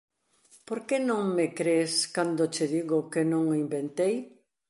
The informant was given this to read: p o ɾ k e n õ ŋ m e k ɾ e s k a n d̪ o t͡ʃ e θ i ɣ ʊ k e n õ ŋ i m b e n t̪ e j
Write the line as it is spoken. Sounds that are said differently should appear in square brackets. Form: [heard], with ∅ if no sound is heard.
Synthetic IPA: p o ɾ k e n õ ŋ m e k ɾ e s k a n d̪ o t͡ʃ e [ð] i ɣ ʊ k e n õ ŋ i m b e n t̪ e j